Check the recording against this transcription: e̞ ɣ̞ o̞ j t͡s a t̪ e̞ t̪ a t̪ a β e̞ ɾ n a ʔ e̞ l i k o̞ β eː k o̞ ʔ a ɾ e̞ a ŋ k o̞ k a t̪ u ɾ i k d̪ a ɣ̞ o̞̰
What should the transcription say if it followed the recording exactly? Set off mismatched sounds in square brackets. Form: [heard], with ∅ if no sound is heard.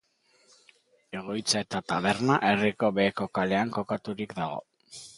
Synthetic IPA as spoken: e̞ ɣ̞ o̞ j t͡s a [∅] e̞ t̪ a t̪ a β e̞ ɾ n a ʔ e̞ [r] i k o̞ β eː k o̞ [k] a [l] e̞ a ŋ k o̞ k a t̪ u ɾ i k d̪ a ɣ̞ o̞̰